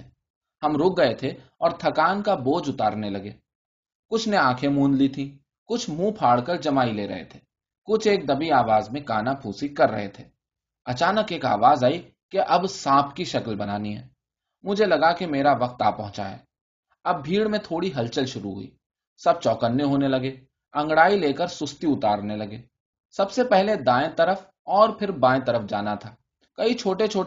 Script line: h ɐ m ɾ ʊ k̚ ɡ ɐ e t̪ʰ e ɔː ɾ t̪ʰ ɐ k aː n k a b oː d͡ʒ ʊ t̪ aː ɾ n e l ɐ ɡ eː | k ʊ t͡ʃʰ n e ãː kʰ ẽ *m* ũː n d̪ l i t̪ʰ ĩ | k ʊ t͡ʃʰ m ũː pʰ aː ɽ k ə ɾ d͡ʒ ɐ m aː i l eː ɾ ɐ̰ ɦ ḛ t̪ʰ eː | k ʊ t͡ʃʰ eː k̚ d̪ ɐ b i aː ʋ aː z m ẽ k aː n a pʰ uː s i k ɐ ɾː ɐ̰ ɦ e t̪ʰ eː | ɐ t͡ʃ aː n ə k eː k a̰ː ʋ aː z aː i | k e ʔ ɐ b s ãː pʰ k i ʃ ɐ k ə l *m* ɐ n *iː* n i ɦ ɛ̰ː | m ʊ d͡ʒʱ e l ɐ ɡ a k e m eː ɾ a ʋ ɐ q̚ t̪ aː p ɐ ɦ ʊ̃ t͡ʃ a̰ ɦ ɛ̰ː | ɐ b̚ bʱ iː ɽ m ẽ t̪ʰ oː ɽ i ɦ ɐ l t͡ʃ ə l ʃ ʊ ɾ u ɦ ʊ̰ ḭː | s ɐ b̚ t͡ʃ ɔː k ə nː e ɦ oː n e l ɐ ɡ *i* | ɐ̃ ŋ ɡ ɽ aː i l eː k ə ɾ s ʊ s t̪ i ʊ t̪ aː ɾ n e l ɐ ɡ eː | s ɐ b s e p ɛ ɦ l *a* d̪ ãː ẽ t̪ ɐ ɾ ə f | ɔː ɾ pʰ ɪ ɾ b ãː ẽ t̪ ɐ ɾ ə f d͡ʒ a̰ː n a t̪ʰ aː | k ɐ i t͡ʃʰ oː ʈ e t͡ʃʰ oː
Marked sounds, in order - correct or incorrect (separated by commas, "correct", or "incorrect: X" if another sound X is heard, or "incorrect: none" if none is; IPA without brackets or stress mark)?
correct, incorrect: b, incorrect: aː, incorrect: e, incorrect: e